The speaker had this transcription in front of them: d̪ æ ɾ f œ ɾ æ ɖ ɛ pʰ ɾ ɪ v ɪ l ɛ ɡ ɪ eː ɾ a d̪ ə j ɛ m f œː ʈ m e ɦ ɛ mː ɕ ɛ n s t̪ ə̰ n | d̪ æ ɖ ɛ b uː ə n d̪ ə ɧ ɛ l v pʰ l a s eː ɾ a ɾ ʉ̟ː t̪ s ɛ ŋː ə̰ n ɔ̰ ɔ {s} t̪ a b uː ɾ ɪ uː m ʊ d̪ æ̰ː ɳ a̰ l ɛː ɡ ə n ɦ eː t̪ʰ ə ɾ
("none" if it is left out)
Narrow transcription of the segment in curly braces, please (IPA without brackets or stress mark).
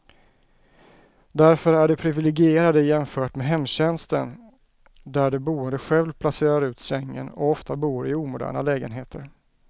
f